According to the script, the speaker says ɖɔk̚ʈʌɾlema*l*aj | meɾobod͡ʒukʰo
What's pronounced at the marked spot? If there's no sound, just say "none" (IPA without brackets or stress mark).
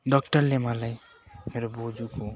l